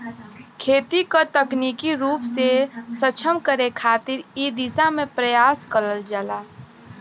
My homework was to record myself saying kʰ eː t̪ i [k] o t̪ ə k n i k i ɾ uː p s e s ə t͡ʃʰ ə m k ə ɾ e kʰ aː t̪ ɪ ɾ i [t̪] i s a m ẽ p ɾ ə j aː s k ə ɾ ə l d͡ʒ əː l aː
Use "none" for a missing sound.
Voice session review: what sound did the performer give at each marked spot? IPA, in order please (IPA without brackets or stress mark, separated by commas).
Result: k, d̪